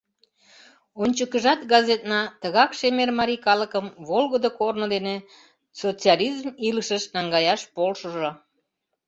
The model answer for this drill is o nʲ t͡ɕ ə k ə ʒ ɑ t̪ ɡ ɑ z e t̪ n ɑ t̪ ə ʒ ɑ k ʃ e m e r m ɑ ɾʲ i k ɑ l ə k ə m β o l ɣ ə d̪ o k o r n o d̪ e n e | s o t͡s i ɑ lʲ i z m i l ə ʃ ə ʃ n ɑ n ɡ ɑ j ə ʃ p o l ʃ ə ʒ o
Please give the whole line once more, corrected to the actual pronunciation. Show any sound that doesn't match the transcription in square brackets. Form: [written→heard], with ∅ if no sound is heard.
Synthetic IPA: o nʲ t͡ɕ ə k ə ʒ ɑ t̪ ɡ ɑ z e t̪ n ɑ t̪ ə [ʒ→ɣ] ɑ k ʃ e m e r m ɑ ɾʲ i k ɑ l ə k ə m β o l ɣ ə d̪ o k o r n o d̪ e n e | s o t͡s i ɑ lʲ i z m i l ə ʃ ə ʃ n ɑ [n→ŋ] ɡ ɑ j [ə→ɑ] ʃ p o l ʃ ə ʒ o